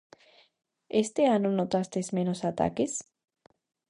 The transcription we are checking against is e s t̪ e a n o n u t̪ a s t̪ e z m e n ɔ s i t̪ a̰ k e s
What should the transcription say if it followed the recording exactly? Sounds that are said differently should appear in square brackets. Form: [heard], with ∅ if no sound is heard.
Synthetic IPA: e s t̪ e a n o n [o] t̪ a s t̪ e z m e n [o] s [a] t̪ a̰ k e s